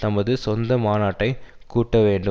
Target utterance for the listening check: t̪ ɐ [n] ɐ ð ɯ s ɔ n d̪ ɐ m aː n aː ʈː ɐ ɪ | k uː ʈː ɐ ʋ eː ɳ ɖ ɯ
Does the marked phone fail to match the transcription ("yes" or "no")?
yes